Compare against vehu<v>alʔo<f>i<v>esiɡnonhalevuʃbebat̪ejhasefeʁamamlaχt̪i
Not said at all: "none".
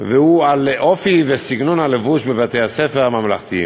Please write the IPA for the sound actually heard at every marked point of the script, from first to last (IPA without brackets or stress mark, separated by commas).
none, f, v